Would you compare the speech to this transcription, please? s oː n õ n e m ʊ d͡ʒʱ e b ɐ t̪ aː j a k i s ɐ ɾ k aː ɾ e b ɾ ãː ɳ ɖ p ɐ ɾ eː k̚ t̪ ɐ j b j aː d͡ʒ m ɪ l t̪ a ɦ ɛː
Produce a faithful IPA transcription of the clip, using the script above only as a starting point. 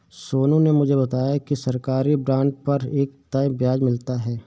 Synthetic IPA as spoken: s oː n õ n e m ʊ d͡ʒʱ e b ɐ t̪ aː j a k i s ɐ ɾ k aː ɾ i b ɾ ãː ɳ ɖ p ɐ ɾ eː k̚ t̪ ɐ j b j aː d͡ʒ m ɪ l t̪ a ɦ ɛː